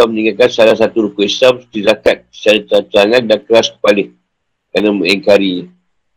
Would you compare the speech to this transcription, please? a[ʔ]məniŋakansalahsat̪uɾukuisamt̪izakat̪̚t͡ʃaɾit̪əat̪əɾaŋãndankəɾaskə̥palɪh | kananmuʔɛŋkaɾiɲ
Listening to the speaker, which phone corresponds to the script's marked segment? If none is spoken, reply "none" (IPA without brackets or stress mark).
none